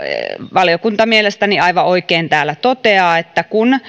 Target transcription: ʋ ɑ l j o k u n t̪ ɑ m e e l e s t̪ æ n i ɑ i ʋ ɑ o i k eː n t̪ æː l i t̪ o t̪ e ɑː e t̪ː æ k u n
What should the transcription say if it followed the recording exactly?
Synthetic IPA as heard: ʋ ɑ l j o k u n t̪ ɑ m i e l e s t̪ æ n i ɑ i ʋ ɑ o i k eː n t̪ æː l æ t̪ o t̪ e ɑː e t̪ː æ k u n